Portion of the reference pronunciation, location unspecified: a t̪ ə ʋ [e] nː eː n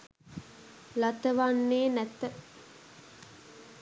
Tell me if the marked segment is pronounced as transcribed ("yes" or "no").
no